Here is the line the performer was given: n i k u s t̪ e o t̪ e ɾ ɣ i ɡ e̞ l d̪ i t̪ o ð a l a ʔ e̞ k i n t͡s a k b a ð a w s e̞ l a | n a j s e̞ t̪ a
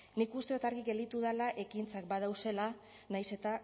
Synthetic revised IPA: n i k u s t̪ e o t̪ a ɾ ɣ i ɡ e̞ l d̪ i t̪ u ð a l a ʔ e̞ k i n t͡s a k b a ð a w s e̞ l a | n a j s e̞ t̪ a